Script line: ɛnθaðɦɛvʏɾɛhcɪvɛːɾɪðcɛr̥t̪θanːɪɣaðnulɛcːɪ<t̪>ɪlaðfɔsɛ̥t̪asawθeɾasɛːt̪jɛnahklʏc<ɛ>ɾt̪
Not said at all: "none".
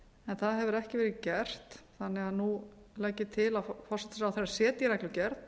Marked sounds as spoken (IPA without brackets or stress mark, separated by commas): t̪ʰ, ɛ